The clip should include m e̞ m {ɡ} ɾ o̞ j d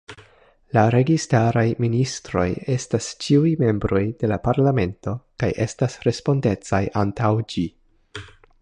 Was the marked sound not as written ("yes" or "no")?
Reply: yes